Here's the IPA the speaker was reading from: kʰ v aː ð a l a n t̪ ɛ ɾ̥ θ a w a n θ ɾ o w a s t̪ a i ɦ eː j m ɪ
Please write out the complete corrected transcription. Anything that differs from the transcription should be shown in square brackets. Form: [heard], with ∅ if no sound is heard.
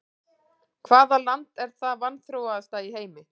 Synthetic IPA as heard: kʰ v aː ð a l a n t̪ ɛ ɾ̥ θ a [v] a n θ ɾ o w a s t̪ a i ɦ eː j m ɪ